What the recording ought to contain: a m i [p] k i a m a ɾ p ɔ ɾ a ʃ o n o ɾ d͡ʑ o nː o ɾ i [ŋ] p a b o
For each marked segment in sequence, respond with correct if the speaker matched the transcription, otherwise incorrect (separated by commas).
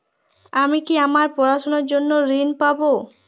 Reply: incorrect, incorrect